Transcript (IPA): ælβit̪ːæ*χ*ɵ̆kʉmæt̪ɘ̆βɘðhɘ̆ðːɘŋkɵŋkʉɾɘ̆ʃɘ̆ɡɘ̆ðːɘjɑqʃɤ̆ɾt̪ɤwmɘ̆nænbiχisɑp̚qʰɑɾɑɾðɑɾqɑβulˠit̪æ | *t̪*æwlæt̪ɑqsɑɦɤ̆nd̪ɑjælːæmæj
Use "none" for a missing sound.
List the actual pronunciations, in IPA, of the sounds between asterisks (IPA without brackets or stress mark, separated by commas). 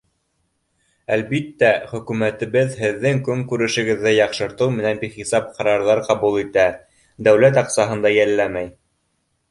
χ, d̪